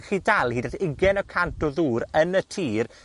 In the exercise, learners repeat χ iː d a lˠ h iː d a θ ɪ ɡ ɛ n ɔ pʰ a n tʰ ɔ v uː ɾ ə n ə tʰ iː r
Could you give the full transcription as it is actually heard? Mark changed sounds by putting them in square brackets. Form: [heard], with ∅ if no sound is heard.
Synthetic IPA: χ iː d a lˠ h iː d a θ ɪ ɡ ɛ n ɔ [kʰ] a n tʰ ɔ [ð] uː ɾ ə n ə tʰ iː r